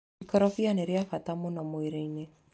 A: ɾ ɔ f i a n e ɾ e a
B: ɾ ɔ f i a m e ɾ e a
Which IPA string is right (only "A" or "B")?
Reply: A